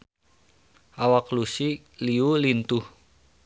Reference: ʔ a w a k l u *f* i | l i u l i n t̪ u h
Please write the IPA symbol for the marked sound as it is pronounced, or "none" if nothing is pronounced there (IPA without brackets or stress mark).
s